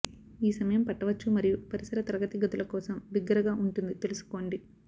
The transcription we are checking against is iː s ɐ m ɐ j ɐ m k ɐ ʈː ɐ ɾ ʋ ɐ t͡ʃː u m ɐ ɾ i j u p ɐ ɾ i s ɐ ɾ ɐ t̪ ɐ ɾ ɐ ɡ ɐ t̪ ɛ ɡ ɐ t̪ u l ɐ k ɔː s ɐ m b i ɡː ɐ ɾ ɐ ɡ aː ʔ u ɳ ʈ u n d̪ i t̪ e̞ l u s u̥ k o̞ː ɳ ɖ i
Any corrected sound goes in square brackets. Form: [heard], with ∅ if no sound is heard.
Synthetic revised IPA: iː s ɐ m ɐ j ɐ m [p] ɐ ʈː ɐ [∅] ʋ ɐ t͡ʃː u m ɐ ɾ i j u p ɐ ɾ i s ɐ ɾ ɐ t̪ ɐ ɾ ɐ ɡ ɐ t̪ [i] ɡ ɐ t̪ u l ɐ k ɔː s ɐ m b i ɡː ɐ ɾ ɐ ɡ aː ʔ u ɳ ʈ u n d̪ i t̪ e̞ l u s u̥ k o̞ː ɳ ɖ i